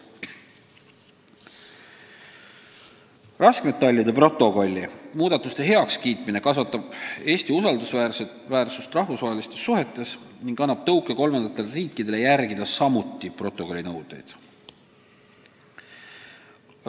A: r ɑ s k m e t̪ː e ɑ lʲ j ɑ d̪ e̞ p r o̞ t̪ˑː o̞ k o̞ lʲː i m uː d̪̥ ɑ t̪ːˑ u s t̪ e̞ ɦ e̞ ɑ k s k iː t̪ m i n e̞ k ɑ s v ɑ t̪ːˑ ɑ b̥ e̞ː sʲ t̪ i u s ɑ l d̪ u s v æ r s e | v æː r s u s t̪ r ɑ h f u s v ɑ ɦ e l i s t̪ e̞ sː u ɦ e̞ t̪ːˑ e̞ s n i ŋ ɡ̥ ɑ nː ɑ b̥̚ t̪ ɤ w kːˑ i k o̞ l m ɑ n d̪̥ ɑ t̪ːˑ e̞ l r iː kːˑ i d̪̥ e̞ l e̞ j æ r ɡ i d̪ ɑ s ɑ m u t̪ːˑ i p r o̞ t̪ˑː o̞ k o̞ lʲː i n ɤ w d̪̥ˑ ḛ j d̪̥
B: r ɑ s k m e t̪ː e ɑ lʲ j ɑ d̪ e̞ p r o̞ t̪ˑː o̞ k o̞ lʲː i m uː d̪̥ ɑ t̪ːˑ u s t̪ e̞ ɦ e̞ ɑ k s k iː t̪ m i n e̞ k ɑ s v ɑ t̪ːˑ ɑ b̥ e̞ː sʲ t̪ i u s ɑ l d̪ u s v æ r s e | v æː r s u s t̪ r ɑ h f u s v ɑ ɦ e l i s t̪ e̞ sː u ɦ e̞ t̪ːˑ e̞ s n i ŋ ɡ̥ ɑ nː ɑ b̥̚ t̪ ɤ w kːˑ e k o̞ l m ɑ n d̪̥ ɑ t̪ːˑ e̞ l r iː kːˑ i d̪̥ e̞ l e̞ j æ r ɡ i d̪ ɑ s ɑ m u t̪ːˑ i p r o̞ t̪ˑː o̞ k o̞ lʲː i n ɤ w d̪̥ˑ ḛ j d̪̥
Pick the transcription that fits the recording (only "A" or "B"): B